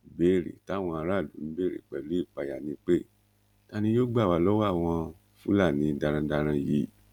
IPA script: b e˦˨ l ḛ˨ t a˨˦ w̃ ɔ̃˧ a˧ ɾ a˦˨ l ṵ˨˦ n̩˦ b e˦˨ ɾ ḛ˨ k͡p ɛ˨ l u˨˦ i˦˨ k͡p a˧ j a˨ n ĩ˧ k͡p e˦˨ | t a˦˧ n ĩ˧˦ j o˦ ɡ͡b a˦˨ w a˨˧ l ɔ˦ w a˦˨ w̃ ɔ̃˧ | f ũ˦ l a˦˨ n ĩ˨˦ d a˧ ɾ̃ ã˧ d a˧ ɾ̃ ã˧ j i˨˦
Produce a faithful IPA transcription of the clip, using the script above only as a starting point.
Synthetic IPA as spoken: b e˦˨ ɾ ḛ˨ t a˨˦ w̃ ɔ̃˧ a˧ ɾ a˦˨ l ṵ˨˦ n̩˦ b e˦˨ ɾ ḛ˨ k͡p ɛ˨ l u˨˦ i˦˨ k͡p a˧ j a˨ n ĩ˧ k͡p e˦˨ | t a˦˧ n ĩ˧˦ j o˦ ɡ͡b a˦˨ w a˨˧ l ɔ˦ w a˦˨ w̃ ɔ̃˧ | f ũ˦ l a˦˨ n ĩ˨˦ d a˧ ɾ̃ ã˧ d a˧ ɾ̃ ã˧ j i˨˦